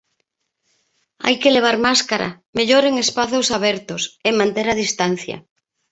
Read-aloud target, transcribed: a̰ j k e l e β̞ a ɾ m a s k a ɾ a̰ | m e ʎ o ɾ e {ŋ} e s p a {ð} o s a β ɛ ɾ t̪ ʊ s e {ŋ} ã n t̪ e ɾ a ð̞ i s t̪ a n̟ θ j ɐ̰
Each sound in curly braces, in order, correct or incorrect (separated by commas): correct, incorrect, incorrect